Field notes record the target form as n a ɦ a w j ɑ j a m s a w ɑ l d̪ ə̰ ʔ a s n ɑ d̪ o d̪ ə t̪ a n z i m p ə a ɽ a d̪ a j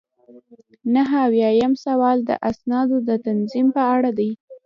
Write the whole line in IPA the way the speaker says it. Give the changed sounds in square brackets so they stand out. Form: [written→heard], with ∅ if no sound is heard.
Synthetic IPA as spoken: n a ɦ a w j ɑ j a m s a w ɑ l d̪ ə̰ ʔ a s n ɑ d̪ o d̪ ə t̪ a n z i m p ə a ɽ a d̪ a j